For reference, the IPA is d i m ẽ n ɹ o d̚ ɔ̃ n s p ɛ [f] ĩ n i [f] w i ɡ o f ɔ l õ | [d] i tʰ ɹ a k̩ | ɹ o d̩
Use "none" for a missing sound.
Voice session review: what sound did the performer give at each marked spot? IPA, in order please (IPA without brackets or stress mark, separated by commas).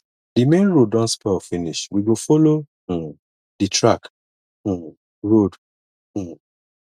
f, ʃ, d